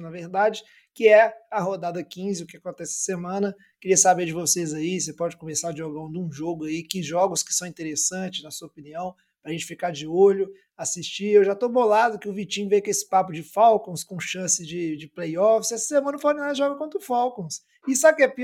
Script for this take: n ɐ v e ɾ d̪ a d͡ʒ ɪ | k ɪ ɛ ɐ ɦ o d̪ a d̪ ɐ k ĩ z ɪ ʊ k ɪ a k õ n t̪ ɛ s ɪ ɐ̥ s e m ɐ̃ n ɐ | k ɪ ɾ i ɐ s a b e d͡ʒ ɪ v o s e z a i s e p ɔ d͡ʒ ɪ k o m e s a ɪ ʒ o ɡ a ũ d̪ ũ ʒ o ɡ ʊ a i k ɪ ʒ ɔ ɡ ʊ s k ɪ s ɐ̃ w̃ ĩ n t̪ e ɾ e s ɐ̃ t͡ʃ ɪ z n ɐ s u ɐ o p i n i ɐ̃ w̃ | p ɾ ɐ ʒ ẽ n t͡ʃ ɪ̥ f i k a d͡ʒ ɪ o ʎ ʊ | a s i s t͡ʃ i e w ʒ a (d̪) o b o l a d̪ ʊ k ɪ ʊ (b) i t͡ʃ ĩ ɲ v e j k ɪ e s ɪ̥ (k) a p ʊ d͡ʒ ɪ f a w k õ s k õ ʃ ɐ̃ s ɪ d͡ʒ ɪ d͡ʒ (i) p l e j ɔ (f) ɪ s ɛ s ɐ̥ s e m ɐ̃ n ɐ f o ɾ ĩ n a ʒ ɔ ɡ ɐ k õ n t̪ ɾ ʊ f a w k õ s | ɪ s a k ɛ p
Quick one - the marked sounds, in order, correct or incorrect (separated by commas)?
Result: incorrect, incorrect, incorrect, incorrect, correct